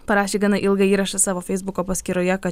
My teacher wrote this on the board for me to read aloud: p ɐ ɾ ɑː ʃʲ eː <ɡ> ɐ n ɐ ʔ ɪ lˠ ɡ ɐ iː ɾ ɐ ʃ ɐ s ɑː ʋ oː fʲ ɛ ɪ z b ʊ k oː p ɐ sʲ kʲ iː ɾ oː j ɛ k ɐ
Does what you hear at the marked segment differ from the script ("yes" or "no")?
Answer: no